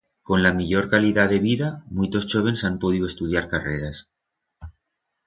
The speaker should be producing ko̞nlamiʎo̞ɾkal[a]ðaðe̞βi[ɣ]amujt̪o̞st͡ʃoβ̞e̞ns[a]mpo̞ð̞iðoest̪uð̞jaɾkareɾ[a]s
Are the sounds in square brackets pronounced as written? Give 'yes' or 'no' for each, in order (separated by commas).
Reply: no, no, yes, yes